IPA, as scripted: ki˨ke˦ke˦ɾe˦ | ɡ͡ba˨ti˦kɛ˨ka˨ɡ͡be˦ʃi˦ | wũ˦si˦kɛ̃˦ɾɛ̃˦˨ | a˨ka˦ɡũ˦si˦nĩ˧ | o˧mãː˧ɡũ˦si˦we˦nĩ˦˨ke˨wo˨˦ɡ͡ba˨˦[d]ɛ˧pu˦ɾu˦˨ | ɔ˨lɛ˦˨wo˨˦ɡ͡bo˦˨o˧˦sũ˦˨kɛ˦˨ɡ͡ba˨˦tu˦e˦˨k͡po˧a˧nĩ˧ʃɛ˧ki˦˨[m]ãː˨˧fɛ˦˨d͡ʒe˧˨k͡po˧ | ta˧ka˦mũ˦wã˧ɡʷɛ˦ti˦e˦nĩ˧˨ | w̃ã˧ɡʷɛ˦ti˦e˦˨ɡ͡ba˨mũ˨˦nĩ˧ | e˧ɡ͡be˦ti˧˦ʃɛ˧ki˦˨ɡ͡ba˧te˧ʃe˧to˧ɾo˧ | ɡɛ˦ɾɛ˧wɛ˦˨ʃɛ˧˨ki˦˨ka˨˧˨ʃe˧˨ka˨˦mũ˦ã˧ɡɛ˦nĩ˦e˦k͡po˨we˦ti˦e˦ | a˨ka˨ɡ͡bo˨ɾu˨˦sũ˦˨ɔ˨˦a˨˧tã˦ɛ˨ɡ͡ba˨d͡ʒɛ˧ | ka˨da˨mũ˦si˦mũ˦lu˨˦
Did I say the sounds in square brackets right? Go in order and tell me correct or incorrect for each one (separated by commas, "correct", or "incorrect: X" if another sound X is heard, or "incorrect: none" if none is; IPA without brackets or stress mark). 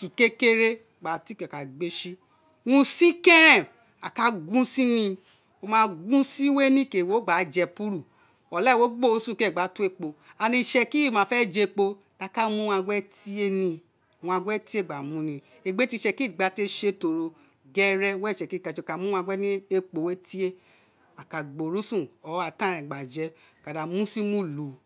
incorrect: d͡ʒ, correct